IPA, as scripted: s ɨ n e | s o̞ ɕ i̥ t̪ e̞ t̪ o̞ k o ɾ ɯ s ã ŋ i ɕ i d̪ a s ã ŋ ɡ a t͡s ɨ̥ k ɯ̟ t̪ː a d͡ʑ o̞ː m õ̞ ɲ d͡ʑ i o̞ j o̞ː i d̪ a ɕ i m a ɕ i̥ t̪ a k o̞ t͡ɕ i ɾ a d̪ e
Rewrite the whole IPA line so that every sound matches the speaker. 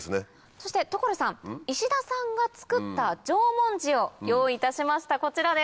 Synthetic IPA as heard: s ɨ n e | s o̞ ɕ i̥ t̪ e̞ t̪ o̞ k o ɾ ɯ s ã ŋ i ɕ i d̪ a s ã ŋ ɡ a t͡s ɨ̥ k ɯ̟ t̪ː a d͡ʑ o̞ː m õ̞ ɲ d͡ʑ i o̞ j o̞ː i t̪ a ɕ i m a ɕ i̥ t̪ a k o̞ t͡ɕ i ɾ a d̪ e